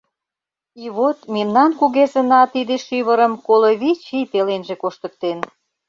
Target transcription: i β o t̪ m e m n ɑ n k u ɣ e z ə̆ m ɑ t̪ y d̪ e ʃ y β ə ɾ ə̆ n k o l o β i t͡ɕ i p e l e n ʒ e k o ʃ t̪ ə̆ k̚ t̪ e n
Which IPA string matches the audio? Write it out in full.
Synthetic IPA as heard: i β o t̪ m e m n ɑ n k u ɣ e z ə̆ n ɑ t̪ i d̪ e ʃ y β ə ɾ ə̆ m k o l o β i t͡ɕ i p e l e n ʒ e k o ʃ t̪ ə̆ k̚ t̪ e n